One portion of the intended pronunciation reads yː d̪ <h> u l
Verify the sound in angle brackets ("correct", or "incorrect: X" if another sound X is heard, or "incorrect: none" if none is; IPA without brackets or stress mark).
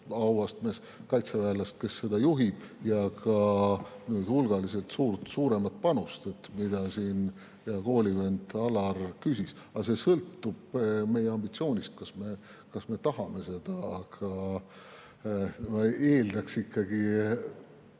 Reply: correct